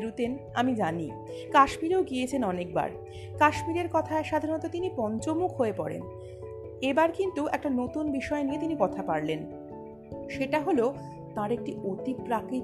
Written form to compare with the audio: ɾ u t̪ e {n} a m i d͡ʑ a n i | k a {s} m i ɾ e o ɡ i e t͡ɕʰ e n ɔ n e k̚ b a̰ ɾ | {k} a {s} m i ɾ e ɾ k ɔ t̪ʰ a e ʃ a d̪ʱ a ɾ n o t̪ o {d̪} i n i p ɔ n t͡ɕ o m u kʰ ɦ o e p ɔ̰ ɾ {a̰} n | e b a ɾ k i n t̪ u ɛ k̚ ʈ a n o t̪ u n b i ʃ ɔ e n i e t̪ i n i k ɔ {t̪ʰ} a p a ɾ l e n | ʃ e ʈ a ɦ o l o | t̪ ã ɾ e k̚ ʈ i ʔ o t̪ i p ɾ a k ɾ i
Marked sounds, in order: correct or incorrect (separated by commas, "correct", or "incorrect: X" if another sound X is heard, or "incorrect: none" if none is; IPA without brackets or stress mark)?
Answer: correct, incorrect: ʃ, correct, incorrect: ʃ, incorrect: t̪, incorrect: ḛ, correct